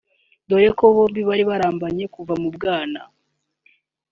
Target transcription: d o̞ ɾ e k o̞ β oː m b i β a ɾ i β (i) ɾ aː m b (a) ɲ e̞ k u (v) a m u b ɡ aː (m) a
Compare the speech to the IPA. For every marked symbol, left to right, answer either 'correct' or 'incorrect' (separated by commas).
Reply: incorrect, correct, correct, incorrect